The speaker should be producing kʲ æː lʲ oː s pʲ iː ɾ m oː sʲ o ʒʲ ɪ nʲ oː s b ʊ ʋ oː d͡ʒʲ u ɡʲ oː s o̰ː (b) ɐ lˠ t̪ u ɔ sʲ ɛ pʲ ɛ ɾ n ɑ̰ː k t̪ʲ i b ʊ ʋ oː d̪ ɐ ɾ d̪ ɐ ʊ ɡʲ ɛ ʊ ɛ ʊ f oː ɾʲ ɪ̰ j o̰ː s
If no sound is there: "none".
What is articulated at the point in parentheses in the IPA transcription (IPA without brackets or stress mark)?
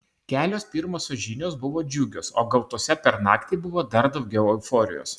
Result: ɡ